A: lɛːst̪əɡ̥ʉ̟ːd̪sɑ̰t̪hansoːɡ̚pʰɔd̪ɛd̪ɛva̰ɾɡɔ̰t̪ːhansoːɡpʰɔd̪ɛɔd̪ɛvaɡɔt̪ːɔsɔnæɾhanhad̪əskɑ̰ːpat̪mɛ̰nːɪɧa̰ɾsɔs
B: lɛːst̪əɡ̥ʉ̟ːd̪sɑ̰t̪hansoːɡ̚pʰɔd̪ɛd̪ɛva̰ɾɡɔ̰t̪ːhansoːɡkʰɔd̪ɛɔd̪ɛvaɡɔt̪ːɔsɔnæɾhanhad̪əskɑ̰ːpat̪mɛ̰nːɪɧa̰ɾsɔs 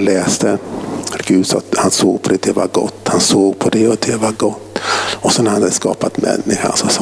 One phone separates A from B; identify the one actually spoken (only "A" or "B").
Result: A